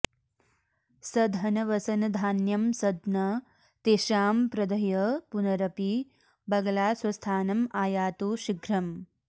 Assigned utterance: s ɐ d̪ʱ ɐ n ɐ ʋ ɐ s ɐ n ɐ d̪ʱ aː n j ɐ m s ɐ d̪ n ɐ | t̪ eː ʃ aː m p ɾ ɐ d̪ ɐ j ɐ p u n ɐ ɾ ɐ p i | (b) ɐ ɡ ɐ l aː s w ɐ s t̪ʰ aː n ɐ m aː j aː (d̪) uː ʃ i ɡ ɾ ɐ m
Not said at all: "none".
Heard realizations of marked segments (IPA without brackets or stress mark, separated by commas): b, t̪